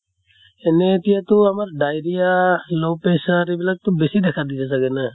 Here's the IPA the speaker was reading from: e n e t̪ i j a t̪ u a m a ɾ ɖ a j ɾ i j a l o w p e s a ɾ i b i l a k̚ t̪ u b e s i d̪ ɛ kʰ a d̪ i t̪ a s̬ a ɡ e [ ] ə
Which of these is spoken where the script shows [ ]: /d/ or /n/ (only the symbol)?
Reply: n